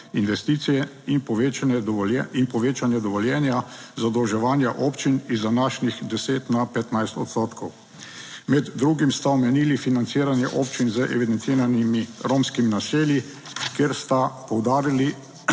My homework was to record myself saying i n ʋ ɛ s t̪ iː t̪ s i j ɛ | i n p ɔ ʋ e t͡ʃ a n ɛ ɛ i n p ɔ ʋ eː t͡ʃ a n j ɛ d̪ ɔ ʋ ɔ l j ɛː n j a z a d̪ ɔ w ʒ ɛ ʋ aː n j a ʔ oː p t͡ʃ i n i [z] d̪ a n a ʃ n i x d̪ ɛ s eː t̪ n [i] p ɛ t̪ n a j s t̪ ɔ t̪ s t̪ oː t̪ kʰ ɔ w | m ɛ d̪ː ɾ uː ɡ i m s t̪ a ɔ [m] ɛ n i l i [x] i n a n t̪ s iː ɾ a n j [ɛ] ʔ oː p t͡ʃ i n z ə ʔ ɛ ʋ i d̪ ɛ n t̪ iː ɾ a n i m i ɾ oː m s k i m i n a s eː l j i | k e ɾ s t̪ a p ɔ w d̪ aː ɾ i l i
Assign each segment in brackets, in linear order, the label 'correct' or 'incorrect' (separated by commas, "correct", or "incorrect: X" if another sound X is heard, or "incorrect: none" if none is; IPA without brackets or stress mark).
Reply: correct, incorrect: a, correct, incorrect: f, correct